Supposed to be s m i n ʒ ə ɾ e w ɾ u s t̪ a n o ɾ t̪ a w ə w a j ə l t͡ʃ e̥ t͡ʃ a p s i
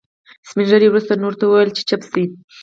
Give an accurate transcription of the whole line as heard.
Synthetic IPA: s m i n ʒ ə ɾ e w ɾ u s t̪ a n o ɾ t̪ a w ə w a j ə l t͡ʃ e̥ t͡ʃ a p s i

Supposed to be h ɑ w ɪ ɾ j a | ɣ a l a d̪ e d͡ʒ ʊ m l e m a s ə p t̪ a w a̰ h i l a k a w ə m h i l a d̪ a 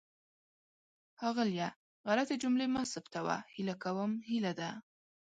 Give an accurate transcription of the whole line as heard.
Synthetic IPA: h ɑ ɣ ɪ l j a | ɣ a l a t̪ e d͡ʒ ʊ m l e m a s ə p t̪ a w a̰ h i l a k a w ə m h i l a d̪ a

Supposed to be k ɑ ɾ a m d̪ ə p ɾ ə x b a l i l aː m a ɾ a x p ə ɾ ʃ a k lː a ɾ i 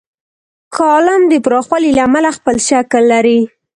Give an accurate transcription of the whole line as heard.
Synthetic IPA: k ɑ l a m d̪ ə p ɾ ɑ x w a l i l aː m a l a x p ə l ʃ a k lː a ɾ i

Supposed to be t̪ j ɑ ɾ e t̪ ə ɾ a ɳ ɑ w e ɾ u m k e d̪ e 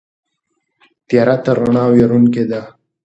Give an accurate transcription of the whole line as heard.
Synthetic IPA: t̪ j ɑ ɾ a t̪ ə ɾ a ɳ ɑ w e ɾ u n k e d̪ a

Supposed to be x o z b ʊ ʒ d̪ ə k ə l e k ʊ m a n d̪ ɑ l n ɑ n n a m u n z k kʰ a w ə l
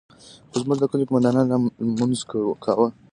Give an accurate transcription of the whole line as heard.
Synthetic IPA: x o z m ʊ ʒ d̪ ə k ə l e k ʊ m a n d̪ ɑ n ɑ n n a m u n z k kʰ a w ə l

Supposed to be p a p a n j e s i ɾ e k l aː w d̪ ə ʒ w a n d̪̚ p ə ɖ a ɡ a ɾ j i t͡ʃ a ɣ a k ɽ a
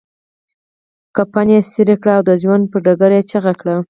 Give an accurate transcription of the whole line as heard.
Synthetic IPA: k a p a n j e s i ɾ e k ɽ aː w d̪ ə ʒ w a n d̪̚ p ə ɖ a ɡ a ɾ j e t͡ʃ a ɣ a k ɽ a

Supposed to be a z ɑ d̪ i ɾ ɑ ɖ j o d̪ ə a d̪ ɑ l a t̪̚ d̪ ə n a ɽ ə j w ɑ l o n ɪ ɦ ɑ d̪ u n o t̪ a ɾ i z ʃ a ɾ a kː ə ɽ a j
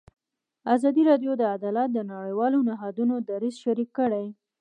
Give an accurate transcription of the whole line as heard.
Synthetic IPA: a z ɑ d̪ i ɾ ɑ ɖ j o d̪ ə a d̪ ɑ l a t̪̚ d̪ ə n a ɽ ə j w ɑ l o n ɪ ɦ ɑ d̪ u n o d̪ a ɾ i z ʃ a ɾ i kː ə ɽ a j

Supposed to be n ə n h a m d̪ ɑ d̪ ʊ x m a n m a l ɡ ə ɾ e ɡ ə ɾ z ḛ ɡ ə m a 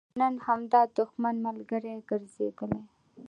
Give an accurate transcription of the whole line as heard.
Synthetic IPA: n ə n h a m d̪ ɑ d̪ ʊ x m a n m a l ɡ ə ɾ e ɡ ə ɾ z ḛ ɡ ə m e

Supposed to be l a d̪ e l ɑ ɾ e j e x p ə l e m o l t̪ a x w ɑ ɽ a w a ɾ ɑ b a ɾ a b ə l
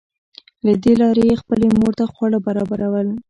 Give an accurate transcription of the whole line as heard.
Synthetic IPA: l a d̪ e l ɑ ɾ e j e x p ə l e m o ɾ t̪ a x w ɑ ɽ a b a ɾ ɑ b a ɾ a w ə l

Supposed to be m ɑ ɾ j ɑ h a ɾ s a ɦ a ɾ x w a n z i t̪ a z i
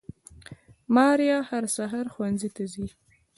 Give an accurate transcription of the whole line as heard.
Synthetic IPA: m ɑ ɾ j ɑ h a ɾ s a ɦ a ɾ x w a n z i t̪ a z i

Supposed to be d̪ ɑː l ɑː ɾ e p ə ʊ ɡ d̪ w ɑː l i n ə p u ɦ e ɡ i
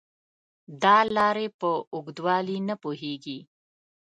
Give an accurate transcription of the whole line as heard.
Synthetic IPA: d̪ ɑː l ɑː ɾ e p ə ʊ ɡ d̪ w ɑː l i n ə p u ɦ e ɡ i

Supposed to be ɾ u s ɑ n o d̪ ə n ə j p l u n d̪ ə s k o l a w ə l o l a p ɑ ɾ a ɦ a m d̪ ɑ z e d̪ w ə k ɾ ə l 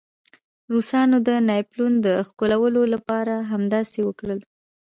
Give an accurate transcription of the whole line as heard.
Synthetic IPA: ɾ u s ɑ n o d̪ ə n ɑ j p l u n d̪ ə x k o l a w ə l o l a p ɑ ɾ a ɦ a m d̪ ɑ s e w ə k ɽ ə l

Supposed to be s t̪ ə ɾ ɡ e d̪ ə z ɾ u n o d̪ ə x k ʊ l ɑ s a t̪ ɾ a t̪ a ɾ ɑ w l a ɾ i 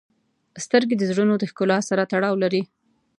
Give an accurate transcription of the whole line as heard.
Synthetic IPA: s t̪ ə ɾ ɡ e d̪ ə z ɽ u n o d̪ ə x k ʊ l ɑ s a ɾ a t̪ a ɽ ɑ w l a ɾ i

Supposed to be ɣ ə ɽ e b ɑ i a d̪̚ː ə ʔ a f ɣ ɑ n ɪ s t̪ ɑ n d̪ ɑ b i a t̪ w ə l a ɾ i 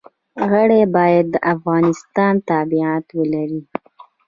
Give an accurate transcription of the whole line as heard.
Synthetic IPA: ɣ ə ɽ e b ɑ j a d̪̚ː ə ʔ a f ɣ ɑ n ɪ s t̪ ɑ n t̪ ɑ b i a t̪ w ə l a ɾ i

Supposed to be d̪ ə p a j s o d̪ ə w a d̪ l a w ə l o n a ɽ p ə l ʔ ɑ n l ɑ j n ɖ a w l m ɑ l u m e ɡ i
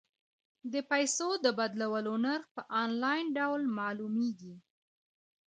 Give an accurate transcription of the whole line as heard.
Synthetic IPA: d̪ ə p a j s o d̪ ə b a d̪ l a w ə l o n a ɾ p ə ʔ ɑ n l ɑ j n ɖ a w l m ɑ l u m e ɡ i

